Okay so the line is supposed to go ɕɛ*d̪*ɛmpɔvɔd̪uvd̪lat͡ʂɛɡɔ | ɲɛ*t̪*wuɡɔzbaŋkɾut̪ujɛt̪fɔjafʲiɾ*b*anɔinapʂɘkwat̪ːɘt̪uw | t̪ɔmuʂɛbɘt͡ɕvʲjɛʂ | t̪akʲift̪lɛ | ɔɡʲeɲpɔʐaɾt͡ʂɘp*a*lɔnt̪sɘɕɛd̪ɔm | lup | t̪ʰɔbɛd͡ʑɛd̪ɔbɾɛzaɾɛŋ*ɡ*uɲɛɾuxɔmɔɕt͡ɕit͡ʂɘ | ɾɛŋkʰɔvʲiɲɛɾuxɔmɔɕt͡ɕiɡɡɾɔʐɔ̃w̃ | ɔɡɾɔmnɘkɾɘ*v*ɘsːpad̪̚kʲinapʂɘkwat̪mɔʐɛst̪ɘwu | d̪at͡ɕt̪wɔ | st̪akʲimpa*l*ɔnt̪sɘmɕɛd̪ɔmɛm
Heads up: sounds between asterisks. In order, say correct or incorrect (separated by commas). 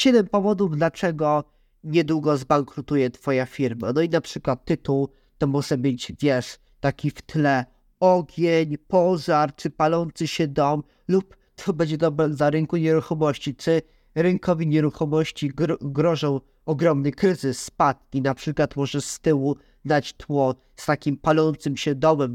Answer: correct, incorrect, incorrect, correct, incorrect, incorrect, correct